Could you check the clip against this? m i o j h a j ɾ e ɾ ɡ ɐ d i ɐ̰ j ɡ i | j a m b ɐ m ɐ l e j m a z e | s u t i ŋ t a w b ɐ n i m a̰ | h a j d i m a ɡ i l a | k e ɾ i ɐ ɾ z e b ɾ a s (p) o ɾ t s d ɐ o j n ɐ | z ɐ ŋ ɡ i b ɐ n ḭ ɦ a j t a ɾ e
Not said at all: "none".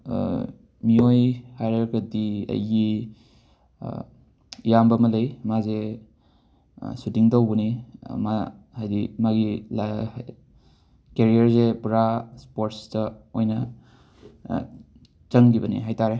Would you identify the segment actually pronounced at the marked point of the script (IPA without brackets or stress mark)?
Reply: p